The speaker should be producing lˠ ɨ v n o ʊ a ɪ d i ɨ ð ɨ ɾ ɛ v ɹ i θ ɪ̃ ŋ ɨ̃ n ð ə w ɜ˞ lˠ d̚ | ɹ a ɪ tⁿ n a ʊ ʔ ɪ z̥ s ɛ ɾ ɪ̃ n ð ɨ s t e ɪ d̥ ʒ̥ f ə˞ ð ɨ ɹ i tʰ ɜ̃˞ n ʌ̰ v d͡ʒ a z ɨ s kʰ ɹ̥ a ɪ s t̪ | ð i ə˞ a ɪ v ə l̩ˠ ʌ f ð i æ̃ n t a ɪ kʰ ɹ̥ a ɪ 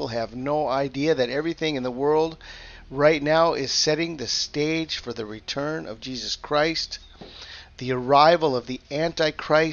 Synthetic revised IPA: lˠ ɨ v n o ʊ a ɪ d i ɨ ð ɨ ɾ ɛ v ɹ i θ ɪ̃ ŋ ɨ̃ n ð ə w ɜ˞ lˠ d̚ | ɹ a ɪ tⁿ n a ʊ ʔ ɪ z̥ s ɛ ɾ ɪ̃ ŋ ð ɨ s t e ɪ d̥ ʒ̥ f ə˞ ð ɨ ɹ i tʰ ɜ̃˞ n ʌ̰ v d͡ʒ i z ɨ s kʰ ɹ̥ a ɪ s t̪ | ð i ə˞ a ɪ v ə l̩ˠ ʌ v ð i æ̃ n t a ɪ kʰ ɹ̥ a ɪ